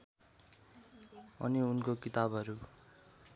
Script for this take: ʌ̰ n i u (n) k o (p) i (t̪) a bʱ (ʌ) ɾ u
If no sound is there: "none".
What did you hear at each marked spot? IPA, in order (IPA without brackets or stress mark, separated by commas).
n, k, t̪, ʌ